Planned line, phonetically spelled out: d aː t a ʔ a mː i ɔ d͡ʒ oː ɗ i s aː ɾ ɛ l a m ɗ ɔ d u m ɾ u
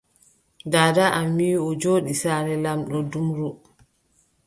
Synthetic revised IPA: d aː d a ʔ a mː i ɔ d͡ʒ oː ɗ i s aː ɾ ɛ l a m ɗ ɔ d u m ɾ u